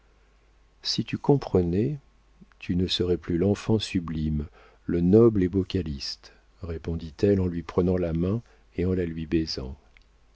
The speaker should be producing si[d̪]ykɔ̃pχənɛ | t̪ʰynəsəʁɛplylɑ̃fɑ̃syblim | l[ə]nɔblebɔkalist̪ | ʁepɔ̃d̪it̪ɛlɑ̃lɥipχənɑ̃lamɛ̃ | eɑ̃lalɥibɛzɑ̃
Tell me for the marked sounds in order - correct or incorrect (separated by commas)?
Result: incorrect, correct